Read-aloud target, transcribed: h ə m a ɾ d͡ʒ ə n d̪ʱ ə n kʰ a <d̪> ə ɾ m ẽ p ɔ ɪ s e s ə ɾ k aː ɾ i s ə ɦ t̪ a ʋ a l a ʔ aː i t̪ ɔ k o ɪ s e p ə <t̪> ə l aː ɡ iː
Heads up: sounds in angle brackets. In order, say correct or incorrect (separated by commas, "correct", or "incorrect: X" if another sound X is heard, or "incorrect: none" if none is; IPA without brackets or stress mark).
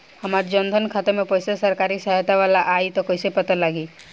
incorrect: t̪, correct